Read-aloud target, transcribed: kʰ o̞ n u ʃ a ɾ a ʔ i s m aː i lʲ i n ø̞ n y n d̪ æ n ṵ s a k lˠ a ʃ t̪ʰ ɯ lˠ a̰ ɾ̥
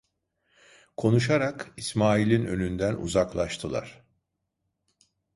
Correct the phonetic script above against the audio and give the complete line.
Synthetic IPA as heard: kʰ o̞ n u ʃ a ɾ a k i s m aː i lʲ i n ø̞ n y n d̪ æ n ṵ z a k lˠ a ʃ t̪ʰ ɯ lˠ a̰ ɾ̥